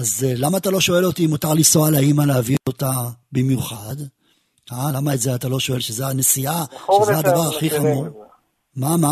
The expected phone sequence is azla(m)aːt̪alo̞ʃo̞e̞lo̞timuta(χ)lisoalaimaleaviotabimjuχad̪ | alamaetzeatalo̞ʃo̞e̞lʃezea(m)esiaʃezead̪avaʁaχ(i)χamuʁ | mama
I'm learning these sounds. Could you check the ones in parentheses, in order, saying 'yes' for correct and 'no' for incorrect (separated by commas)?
yes, no, no, yes